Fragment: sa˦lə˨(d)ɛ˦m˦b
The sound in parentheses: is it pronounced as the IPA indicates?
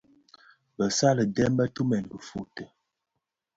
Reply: yes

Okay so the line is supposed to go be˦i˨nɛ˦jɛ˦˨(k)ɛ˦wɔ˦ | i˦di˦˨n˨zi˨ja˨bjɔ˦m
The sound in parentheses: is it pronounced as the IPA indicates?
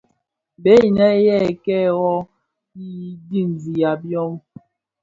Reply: yes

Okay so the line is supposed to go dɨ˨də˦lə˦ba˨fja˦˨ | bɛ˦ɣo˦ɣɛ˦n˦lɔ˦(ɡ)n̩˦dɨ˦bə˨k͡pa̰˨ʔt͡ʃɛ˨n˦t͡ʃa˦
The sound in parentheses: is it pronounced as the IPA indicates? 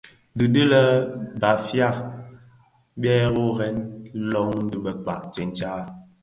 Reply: no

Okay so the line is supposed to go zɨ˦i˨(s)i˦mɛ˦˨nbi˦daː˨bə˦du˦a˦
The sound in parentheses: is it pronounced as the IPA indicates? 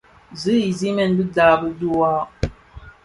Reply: no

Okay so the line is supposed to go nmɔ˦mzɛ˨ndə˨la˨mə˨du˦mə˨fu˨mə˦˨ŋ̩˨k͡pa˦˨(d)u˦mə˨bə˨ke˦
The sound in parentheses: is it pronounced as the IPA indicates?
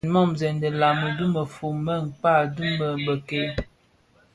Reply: yes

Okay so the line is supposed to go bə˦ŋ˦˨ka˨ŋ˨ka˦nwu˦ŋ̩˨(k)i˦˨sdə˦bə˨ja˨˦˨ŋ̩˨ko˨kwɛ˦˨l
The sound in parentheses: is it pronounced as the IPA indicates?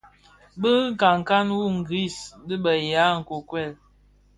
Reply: no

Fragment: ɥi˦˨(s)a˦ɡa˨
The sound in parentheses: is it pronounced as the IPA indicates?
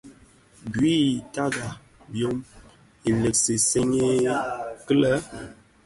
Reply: no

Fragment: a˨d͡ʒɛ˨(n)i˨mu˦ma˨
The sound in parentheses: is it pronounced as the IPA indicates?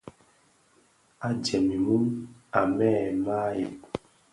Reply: no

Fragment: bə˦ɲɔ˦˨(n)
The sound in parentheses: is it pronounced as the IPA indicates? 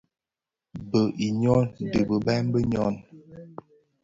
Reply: yes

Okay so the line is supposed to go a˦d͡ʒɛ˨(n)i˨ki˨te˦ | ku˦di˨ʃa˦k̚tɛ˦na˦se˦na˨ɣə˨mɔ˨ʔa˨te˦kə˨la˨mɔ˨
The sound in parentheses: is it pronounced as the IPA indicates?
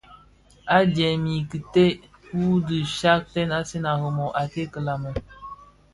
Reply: no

